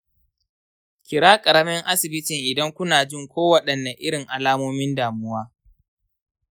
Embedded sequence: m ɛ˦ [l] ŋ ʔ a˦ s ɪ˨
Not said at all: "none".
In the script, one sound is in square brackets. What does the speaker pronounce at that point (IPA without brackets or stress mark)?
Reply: none